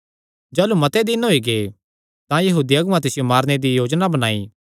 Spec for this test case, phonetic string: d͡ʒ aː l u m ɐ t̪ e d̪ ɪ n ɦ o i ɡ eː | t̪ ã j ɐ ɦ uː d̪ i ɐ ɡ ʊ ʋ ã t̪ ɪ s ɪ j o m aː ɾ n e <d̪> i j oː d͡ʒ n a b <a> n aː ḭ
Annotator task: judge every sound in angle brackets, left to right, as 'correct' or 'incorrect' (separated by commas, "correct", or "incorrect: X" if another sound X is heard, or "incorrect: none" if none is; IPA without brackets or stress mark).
correct, incorrect: ɐ